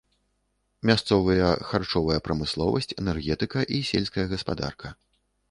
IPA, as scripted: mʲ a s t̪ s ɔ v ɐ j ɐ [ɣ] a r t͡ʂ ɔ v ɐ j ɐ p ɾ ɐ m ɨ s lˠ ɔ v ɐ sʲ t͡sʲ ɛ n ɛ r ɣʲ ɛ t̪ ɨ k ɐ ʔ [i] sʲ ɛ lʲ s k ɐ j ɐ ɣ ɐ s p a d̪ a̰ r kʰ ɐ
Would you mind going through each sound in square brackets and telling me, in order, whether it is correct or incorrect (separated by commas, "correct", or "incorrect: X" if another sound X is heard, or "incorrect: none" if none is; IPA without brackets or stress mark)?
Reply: incorrect: x, correct